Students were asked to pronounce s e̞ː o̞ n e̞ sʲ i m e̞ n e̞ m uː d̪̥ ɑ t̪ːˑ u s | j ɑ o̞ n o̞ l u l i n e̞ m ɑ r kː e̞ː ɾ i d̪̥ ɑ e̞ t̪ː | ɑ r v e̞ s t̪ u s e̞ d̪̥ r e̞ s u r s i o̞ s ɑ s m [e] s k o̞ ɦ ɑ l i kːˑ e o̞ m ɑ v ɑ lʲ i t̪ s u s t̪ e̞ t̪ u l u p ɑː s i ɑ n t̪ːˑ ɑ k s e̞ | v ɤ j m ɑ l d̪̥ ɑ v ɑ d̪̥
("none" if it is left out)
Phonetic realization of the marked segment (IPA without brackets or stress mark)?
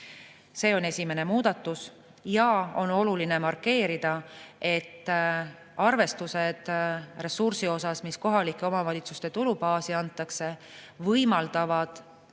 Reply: i